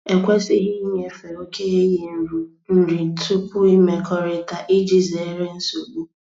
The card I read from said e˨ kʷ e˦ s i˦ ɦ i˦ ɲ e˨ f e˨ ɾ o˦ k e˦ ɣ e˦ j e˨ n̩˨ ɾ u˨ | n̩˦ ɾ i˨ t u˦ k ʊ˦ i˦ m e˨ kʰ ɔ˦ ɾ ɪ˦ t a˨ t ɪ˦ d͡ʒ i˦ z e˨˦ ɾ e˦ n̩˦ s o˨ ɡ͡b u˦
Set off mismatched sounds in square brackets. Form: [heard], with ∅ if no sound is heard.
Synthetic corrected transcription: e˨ kʷ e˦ s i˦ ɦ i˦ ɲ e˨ f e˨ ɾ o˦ k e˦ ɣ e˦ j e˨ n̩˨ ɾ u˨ | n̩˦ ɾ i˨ t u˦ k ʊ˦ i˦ m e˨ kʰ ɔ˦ ɾ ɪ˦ t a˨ [ʔ] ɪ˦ d͡ʒ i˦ z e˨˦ ɾ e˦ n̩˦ s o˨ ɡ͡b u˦